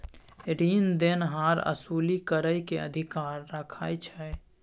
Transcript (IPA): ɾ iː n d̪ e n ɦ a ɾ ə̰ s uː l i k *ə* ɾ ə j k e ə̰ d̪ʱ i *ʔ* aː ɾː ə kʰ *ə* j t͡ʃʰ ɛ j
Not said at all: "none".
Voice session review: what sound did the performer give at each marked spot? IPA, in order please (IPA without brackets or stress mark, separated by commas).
ə, k, a